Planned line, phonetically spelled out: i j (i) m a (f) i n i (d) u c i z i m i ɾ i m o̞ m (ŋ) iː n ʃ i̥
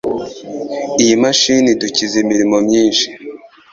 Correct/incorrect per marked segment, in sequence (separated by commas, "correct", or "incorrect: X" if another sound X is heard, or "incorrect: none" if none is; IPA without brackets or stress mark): correct, incorrect: ʃ, correct, incorrect: ɲ